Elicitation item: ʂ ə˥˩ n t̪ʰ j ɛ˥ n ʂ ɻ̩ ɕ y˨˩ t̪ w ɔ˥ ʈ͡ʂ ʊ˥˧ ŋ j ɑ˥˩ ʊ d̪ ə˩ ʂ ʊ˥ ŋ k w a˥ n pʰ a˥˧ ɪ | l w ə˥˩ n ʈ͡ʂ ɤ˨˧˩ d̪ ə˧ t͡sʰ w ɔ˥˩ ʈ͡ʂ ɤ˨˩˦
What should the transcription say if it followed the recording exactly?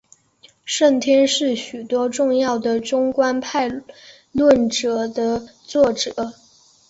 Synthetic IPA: ʂ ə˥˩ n t̪ʰ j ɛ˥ n ʂ ɻ̩ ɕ y˨˩ t̪ w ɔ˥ ʈ͡ʂ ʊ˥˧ ŋ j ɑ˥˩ ʊ d̪ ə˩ ʈ͡ʂ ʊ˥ ŋ k w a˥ n pʰ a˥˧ ɪ | l w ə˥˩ n ʈ͡ʂ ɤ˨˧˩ d̪ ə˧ t͡s w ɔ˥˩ ʈ͡ʂ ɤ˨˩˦